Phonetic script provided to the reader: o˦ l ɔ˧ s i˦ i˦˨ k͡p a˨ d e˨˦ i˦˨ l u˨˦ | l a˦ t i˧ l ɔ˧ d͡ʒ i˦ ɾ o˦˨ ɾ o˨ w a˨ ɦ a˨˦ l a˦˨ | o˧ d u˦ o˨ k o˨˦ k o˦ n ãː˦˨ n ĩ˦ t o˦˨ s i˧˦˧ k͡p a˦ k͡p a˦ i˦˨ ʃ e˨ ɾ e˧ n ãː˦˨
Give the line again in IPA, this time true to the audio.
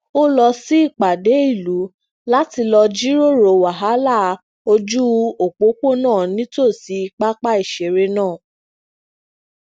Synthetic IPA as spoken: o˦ l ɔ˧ s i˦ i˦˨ k͡p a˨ d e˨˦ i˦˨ l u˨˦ | l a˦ t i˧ l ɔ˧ d͡ʒ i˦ ɾ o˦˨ ɾ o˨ w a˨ ɦ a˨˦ l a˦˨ | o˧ d͡ʒ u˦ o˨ k͡p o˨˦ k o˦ n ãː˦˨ n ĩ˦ t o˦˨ s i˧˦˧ k͡p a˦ k͡p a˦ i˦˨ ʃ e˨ ɾ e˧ n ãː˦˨